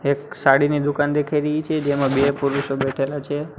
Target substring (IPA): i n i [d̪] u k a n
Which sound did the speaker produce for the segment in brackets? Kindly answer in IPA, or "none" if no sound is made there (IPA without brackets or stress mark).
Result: d̪